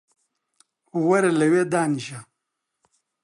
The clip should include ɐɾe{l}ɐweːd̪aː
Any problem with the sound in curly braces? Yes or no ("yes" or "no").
no